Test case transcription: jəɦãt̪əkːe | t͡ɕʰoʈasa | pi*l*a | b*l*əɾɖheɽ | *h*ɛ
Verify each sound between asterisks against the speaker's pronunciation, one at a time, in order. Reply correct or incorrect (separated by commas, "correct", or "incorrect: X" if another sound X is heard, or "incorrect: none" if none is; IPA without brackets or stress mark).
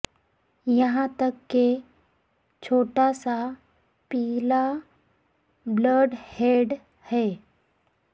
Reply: correct, correct, correct